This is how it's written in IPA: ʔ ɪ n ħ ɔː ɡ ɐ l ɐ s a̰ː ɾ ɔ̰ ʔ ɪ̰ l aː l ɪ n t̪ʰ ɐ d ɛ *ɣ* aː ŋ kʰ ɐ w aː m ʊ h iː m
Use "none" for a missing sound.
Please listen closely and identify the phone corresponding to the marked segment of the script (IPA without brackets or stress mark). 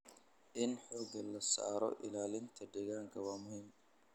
ɣ